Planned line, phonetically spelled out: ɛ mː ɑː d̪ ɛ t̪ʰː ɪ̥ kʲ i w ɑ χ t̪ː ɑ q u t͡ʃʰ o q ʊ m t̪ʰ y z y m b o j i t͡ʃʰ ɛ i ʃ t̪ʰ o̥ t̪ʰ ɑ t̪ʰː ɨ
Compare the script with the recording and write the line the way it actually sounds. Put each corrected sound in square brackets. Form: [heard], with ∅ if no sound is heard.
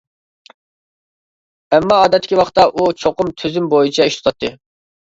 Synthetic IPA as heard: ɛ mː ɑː d̪ ɛ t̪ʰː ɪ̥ kʲ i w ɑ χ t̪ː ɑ [ʔ] u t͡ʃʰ o q ʊ m t̪ʰ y z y m b o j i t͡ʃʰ ɛ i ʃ [t̪] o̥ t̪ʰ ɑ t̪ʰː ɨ